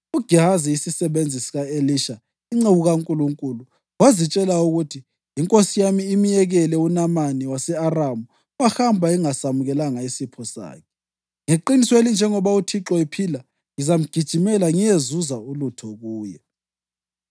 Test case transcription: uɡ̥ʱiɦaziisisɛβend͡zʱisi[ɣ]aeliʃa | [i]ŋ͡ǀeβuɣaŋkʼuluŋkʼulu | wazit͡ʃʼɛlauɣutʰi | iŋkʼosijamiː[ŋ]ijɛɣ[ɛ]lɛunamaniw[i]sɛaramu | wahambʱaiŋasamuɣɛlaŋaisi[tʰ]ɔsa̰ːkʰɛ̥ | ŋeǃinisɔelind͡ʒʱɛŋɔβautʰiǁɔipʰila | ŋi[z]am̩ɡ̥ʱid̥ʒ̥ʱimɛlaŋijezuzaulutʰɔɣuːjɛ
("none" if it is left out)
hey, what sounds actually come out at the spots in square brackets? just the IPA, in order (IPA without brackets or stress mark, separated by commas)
ɣ, i, m, ɛ, a, pʰ, z